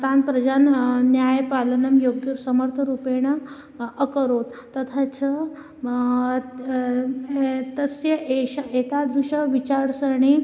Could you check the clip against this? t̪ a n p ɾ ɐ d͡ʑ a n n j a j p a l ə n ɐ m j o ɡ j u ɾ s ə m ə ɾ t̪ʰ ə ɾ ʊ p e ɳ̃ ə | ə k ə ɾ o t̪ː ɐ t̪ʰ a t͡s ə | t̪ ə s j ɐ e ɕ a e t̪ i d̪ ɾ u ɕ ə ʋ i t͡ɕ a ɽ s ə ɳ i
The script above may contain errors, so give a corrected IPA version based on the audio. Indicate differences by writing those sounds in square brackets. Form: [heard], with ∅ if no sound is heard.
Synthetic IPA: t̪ a n p ɾ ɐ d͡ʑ a n n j a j p a l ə n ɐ m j o ɡ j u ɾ s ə m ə ɾ t̪ʰ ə ɾ [u] p e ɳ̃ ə | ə k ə ɾ o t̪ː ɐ t̪ʰ a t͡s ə | t̪ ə s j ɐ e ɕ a e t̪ [a] d̪ ɾ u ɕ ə ʋ i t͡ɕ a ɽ s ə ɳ i